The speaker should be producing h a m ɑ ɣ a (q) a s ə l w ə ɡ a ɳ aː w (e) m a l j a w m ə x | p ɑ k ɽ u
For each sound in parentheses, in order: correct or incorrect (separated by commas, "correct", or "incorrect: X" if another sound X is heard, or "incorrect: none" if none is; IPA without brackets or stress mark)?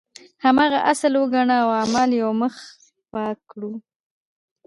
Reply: incorrect: ʔ, incorrect: a